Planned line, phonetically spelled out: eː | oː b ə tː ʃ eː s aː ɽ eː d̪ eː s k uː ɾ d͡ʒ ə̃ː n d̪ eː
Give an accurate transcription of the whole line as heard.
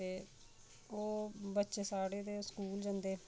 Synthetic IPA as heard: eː | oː b ə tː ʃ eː s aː ɽ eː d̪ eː s k uː l d͡ʒ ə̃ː n d̪ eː